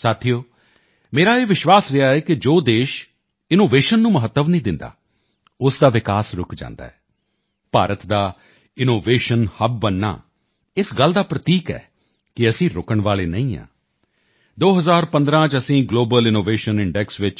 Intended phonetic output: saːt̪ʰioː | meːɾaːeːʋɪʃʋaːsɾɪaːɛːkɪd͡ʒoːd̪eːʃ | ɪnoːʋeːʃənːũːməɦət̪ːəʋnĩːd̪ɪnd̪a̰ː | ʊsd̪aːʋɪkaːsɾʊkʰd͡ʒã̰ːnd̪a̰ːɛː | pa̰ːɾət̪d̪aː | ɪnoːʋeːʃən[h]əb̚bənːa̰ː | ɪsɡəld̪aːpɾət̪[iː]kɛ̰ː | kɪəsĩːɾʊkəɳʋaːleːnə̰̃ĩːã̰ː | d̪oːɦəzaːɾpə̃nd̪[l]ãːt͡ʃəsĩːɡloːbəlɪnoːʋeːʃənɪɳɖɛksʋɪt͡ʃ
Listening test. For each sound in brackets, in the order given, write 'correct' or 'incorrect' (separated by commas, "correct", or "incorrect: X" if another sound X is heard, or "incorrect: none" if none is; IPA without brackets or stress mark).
correct, correct, incorrect: ɾ